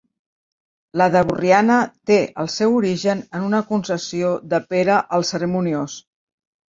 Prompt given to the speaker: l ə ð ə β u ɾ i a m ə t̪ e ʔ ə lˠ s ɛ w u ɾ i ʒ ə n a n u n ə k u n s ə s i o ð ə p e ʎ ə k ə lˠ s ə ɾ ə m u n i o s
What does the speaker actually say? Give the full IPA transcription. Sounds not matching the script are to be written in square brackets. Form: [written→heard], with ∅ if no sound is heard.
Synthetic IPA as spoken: l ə ð ə β u [ɾ→r] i a [m→n] ə t̪ e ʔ ə lˠ s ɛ w u ɾ i ʒ ə n [a→ə] n u n ə k u n s ə s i o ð ə p e [ʎ→ɾ] ə [k→ʔ] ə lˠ s ə ɾ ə m u n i o s

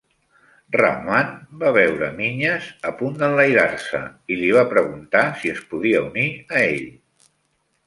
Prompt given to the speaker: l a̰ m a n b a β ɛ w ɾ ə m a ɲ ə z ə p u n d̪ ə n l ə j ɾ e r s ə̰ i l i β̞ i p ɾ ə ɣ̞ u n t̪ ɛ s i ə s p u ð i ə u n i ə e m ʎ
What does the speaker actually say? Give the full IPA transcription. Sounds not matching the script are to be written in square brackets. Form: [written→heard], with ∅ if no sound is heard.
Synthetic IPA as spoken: [l→r] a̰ m a n b a β ɛ w ɾ ə m [a→i] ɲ ə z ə p u n d̪ ə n l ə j ɾ [e→a] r s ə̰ i l i β̞ [i→a] p ɾ ə ɣ̞ u n t̪ [ɛ→a] s i ə s p u ð i ə u n i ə e [m→∅] ʎ

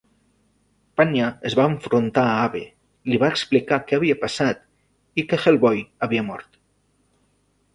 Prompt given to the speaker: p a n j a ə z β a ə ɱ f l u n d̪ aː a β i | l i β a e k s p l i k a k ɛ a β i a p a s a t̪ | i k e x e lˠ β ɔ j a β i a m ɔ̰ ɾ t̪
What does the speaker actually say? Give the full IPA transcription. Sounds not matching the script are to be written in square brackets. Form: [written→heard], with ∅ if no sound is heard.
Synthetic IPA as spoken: p a n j a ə z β a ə ɱ f [l→ɾ] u n [d̪→t̪] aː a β [i→e] | l i β a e k s p l i k a k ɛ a β i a p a s a t̪ | i k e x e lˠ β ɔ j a β i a m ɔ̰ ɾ t̪

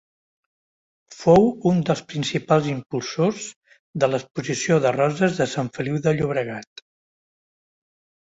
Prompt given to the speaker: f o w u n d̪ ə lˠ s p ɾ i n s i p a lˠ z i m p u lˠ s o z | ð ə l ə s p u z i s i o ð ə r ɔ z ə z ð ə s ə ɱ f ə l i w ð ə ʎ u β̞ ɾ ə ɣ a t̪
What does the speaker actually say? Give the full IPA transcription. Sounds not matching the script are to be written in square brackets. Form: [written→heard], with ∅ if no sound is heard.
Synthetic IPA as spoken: f o w u n d̪ ə lˠ s p ɾ i n s i p a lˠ z i m p u lˠ s o z | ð ə l ə s p u z i s i o ð ə r ɔ z ə z ð ə s [ə→a] ɱ f ə l i w ð ə ʎ u β̞ ɾ ə ɣ a t̪

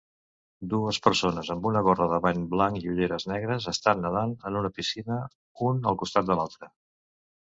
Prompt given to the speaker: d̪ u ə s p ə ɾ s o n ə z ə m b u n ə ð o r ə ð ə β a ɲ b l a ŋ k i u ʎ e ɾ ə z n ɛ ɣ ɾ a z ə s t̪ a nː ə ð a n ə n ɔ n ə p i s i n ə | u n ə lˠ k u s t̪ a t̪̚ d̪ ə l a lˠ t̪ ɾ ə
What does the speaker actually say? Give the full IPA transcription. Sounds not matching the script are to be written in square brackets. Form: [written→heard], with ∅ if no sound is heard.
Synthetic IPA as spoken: d̪ u ə s p ə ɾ s o n ə z ə m b u n ə [ð→ɣ] o r ə ð ə β a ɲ b l a ŋ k i u ʎ e ɾ ə z n ɛ ɣ ɾ [a→ə] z ə s t̪ a nː ə ð a n ə n [ɔ→u] n ə p i s i n ə | u n ə lˠ k u s t̪ a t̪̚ d̪ ə l a lˠ t̪ ɾ ə

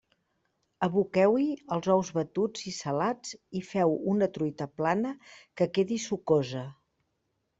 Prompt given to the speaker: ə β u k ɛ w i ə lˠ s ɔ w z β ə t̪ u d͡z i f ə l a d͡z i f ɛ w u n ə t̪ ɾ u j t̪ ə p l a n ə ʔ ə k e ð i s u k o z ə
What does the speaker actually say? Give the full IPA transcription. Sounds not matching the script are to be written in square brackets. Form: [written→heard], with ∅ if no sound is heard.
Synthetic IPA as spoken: ə β u k ɛ w i ə lˠ [s→z] ɔ w z β ə t̪ u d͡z i [f→s] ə l a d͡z i f ɛ w u n ə t̪ ɾ u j t̪ ə p l a n ə [ʔ→k] ə k e ð i s u k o z ə

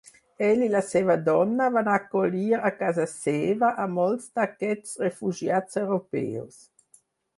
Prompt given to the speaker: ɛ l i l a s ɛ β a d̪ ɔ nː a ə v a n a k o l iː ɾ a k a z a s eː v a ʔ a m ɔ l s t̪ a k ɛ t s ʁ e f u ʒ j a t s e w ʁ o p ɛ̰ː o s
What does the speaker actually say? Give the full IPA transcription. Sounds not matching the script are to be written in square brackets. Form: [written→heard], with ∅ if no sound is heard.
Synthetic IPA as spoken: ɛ l i l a s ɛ [β→v] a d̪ ɔ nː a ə v a n a k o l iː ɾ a k a z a s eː v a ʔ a m ɔ l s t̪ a k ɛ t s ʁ e f u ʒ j a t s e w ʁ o p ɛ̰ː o s

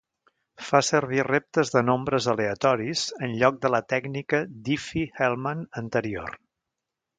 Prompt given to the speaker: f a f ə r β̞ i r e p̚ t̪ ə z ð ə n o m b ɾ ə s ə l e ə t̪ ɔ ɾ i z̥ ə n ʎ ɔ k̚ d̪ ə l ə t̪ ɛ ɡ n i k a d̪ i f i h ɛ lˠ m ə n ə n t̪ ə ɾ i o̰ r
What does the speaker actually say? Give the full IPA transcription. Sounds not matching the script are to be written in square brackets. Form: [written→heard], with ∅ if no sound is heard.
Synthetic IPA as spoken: f a [f→s] ə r β̞ i r e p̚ t̪ ə z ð ə n o m b ɾ ə [s→z] ə l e ə t̪ ɔ ɾ i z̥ ə n ʎ ɔ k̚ d̪ ə l ə t̪ ɛ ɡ n i k [a→ə] d̪ i f i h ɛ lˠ m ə n ə n t̪ ə ɾ i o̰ r

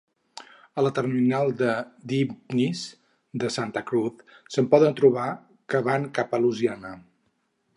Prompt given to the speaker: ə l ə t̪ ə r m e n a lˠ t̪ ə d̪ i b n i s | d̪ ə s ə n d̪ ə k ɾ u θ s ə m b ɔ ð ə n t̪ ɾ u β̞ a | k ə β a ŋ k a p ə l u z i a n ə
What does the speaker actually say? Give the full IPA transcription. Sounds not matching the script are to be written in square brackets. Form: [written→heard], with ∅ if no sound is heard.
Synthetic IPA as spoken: ə l ə t̪ ə r m [e→i] n a lˠ [t̪→d̪] ə d̪ i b n i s | d̪ ə s [ə→a] n [d̪→t̪] ə k ɾ u θ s ə m [b→p] ɔ ð ə n t̪ ɾ u β̞ a | k ə β a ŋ k a p ə l u z i a n ə

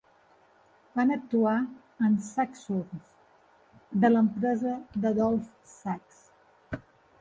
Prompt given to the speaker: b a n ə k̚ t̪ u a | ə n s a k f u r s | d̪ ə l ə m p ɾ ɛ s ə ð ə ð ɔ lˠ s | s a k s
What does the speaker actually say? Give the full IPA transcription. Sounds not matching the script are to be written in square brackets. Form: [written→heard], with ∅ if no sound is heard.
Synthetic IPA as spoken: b a n ə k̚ t̪ u a | ə n s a k [f→s] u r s | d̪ ə l ə m p ɾ ɛ [s→z] ə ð ə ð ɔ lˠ [s→f] | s a k s

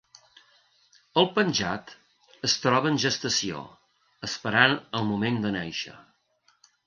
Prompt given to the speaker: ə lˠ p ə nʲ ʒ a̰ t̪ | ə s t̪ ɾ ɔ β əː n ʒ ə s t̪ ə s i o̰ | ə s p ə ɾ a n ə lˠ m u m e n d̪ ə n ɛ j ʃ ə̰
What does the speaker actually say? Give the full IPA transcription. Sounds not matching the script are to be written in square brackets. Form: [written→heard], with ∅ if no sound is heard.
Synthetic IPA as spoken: ə lˠ p ə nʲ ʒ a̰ t̪ | ə s t̪ ɾ ɔ β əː n ʒ ə s t̪ ə s i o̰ | ə s p ə ɾ a n ə lˠ m u m e n d̪ ə n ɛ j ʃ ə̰

